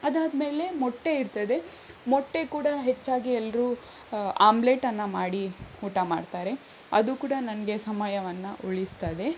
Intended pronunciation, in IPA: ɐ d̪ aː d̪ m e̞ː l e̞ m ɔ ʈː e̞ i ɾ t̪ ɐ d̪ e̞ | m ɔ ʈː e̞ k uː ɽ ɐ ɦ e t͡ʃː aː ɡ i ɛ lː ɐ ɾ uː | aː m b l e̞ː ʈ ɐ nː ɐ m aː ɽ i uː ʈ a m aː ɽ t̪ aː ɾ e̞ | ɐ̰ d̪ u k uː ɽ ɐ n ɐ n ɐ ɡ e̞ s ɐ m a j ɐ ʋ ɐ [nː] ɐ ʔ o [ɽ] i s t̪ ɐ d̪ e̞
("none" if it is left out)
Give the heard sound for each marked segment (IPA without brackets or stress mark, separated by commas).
nː, ɭ